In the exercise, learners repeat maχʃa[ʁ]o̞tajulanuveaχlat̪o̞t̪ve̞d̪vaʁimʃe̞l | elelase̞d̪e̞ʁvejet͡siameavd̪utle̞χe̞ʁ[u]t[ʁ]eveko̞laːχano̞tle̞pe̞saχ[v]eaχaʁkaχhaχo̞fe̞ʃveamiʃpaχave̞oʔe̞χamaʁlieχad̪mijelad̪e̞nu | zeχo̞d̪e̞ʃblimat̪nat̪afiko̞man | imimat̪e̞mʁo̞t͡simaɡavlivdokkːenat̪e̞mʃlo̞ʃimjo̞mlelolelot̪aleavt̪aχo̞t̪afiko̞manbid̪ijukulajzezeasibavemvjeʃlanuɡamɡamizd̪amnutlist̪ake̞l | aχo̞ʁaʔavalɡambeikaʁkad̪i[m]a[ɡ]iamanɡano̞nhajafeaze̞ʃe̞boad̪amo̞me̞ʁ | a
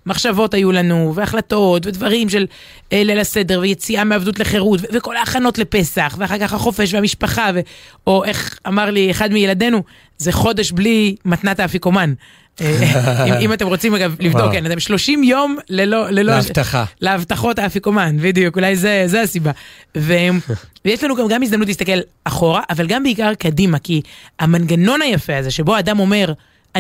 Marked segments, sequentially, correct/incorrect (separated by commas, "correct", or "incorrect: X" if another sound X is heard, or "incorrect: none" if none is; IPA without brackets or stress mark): incorrect: v, correct, incorrect: v, correct, correct, incorrect: k